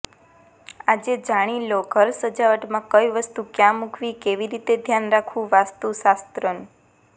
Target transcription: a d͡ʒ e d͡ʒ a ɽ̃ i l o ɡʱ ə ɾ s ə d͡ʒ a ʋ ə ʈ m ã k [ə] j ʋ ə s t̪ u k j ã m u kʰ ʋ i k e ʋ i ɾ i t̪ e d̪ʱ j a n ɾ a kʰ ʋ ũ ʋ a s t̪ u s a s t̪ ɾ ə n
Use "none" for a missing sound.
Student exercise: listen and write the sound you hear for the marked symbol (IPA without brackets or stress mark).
ə